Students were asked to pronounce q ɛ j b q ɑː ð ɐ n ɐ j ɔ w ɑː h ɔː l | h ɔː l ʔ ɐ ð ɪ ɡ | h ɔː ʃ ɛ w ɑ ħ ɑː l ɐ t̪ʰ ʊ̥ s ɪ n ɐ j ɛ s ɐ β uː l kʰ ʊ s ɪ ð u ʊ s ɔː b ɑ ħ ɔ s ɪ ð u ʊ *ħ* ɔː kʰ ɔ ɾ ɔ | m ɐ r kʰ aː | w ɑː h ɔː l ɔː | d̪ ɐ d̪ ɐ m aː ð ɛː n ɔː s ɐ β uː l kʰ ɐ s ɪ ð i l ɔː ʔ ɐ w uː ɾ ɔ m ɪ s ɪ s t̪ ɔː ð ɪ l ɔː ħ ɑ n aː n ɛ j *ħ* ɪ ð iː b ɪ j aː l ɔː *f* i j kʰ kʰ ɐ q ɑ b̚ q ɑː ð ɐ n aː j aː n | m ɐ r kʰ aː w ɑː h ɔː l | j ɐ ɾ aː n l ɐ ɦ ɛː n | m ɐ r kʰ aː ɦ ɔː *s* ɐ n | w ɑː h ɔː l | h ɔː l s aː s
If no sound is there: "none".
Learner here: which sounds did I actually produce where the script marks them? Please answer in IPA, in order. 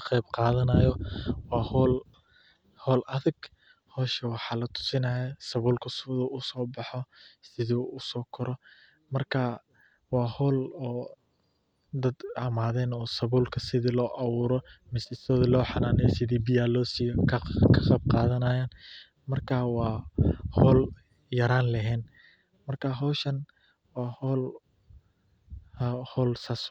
s, s, s, ʃ

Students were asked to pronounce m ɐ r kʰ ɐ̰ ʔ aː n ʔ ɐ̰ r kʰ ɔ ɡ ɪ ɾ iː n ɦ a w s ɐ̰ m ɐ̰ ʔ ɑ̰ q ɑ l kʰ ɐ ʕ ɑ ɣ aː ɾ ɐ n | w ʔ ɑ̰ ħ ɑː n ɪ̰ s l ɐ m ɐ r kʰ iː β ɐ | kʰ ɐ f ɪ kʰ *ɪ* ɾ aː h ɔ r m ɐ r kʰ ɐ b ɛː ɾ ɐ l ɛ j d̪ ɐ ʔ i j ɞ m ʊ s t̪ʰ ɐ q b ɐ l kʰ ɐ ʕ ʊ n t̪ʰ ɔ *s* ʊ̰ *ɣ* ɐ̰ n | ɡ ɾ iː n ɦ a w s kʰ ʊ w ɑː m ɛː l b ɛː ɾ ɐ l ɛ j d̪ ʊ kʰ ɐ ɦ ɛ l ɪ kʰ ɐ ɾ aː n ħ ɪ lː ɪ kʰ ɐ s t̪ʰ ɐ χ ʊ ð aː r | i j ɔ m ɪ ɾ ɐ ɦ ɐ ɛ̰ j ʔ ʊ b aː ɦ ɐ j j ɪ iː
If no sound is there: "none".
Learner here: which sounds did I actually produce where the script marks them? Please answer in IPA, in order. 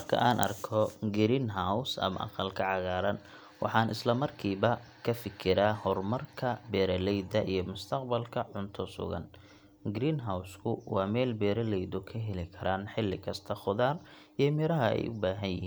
ɪ, s, ɣ

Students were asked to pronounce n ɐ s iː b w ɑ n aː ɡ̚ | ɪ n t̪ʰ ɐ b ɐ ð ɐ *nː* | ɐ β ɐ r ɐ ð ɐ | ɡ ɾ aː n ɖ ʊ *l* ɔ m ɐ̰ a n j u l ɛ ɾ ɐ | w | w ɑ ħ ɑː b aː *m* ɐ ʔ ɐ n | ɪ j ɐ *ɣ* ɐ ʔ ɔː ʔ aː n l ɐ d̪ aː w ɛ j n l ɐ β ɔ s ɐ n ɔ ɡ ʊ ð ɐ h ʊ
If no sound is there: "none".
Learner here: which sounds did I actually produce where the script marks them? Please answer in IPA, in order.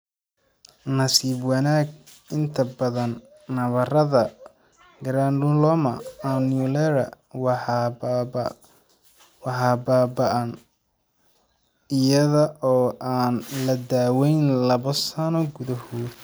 nː, l, b, ð

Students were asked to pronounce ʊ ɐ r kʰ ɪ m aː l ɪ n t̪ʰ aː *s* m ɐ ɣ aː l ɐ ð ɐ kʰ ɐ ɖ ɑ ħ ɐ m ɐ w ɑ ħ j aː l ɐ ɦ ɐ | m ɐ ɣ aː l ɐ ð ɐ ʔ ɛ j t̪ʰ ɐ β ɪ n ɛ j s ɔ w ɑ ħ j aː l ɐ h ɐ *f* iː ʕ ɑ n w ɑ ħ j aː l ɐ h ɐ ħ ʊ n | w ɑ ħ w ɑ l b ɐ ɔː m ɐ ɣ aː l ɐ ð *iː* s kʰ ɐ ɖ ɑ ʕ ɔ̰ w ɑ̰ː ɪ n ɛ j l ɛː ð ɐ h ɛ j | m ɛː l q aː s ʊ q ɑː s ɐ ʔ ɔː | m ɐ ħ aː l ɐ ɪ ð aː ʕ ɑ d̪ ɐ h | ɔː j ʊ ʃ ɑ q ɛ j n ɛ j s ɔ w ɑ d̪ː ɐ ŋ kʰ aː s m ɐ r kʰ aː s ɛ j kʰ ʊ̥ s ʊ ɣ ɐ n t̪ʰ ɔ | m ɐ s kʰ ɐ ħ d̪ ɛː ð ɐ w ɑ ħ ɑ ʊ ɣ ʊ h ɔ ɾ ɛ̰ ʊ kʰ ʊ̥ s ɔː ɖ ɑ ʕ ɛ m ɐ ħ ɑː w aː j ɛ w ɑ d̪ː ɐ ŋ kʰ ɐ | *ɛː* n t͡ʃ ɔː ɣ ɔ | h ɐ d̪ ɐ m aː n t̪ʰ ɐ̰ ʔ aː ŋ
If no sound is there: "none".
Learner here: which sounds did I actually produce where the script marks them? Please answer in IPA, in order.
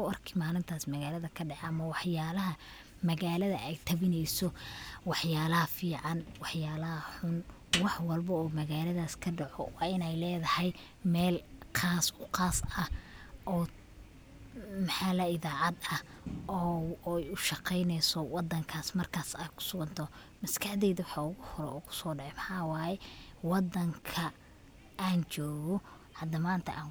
s, f, aː, aː

